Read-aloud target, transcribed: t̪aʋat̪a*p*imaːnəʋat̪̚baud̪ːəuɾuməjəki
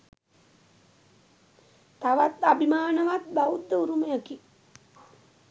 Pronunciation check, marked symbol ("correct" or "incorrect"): incorrect